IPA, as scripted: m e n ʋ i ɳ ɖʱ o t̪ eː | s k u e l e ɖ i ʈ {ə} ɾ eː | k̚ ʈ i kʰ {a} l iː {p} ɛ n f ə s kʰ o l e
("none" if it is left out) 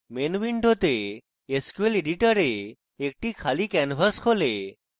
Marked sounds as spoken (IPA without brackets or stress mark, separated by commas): ə, a, k